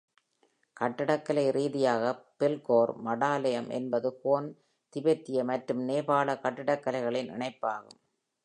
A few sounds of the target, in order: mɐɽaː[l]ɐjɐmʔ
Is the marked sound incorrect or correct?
correct